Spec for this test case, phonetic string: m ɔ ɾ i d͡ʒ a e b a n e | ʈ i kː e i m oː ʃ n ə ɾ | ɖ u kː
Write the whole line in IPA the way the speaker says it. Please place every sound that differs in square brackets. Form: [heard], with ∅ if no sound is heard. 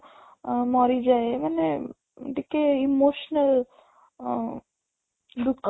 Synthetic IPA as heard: m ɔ ɾ i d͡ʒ a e [m] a n e | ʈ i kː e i m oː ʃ n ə [l] | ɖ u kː